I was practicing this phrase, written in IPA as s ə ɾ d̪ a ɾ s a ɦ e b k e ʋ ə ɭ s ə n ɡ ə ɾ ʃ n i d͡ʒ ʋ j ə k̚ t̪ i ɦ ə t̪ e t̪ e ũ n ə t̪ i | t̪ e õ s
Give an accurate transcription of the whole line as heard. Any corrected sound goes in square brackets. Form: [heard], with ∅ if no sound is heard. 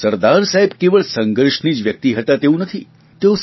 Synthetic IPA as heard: s ə ɾ d̪ a ɾ s a ɦ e b k e ʋ ə ɭ s ə [ŋ] ɡ ə ɾ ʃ n i d͡ʒ ʋ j ə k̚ t̪ i ɦ ə t̪ [a] t̪ e ũ n ə [t̪ʰ] i | t̪ e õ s